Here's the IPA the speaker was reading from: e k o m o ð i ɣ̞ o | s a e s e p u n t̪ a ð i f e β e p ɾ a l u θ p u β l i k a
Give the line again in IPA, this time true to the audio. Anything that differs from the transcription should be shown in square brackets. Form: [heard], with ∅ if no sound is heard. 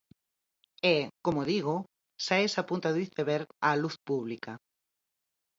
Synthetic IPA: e k o m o ð i ɣ̞ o | s a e s [a] p u n t̪ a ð i [θ] e β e [∅] ɾ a l u θ p u β l i k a